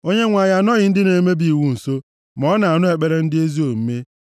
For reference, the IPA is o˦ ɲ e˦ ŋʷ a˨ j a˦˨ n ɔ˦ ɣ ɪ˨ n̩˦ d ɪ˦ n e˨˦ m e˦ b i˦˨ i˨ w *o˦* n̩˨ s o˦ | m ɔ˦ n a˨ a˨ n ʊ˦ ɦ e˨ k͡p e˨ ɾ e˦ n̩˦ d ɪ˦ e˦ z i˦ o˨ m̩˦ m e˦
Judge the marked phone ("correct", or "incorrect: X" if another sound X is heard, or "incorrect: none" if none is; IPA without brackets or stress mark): incorrect: u˦